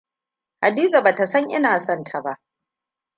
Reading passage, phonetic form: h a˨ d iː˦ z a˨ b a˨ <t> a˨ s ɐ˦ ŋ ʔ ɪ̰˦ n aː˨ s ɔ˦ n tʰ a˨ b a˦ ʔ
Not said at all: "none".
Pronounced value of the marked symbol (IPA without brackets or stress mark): t